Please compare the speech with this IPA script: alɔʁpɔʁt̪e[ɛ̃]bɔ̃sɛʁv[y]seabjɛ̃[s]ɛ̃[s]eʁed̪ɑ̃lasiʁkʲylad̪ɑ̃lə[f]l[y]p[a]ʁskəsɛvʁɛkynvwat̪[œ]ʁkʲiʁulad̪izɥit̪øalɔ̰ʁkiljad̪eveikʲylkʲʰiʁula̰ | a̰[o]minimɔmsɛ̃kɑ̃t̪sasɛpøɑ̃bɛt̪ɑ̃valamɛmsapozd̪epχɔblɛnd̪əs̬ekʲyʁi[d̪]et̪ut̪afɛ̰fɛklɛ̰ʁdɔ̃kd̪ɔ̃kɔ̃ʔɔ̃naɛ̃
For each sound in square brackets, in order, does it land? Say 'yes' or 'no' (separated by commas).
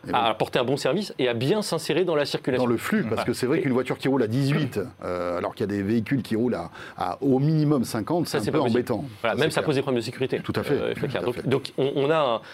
yes, no, yes, yes, yes, yes, yes, no, yes, no